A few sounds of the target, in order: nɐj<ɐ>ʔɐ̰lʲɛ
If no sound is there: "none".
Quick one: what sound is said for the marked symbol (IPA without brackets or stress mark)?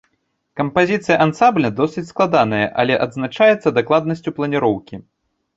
ɐ